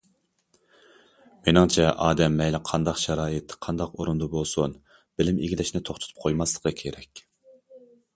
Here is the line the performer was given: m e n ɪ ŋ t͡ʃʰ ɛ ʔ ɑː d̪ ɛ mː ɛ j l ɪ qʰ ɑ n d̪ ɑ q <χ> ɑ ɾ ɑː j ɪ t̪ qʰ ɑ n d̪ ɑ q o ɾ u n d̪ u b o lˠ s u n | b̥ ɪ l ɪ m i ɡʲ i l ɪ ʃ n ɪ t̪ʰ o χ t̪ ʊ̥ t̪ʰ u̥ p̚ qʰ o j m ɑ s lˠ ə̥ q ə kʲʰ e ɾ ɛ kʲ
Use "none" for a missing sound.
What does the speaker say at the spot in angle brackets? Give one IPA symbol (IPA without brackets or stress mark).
ʃ